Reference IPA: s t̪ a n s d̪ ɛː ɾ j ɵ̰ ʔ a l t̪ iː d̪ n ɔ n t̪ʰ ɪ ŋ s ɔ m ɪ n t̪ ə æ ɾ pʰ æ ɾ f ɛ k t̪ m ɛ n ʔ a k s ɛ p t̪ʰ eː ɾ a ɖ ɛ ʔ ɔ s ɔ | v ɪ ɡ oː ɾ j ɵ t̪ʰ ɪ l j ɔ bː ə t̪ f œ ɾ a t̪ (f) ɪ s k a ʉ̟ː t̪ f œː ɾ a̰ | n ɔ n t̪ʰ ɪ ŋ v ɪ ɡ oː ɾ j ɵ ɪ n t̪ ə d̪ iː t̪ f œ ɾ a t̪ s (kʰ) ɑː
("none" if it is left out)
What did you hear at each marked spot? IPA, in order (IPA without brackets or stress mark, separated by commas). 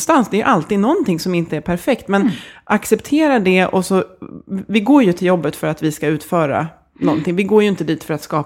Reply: v, k